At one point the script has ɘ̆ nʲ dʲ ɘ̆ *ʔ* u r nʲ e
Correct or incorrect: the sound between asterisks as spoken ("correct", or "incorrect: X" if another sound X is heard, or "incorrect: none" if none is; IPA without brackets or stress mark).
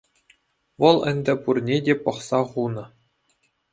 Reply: incorrect: p